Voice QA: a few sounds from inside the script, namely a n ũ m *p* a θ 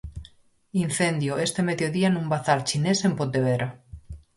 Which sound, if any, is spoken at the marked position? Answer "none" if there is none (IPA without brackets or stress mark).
b